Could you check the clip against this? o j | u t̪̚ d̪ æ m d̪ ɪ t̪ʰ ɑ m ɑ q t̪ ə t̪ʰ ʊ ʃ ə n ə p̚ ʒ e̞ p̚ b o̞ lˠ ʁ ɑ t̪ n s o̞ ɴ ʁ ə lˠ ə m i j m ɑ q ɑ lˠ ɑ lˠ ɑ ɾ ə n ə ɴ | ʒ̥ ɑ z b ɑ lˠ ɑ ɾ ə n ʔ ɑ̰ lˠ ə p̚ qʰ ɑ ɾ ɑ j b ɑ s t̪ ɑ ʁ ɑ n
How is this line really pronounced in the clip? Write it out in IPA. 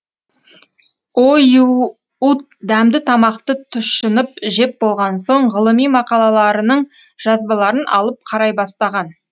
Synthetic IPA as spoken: o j | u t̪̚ d̪ æ m d̪ ɪ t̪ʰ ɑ m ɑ q t̪ ə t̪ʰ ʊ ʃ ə n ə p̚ ʒ e̞ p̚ b o̞ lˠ ʁ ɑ n s o̞ ɴ ʁ ə lˠ ə m i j m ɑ q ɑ lˠ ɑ lˠ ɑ ɾ ə n ə ɴ | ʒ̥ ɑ z b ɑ lˠ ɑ ɾ ə n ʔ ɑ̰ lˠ ə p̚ qʰ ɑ ɾ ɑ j b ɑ s t̪ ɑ ʁ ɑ n